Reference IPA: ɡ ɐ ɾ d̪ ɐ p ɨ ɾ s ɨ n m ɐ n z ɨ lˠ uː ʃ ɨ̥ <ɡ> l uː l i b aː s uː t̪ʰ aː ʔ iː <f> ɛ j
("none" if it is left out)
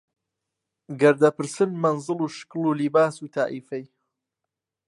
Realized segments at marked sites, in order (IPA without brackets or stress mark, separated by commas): k, f